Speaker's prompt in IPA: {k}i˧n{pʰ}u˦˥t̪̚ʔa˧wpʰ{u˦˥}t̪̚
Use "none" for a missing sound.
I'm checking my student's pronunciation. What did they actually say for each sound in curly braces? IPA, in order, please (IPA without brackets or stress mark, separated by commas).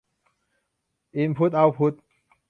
ʔ, pʰ, u˦˥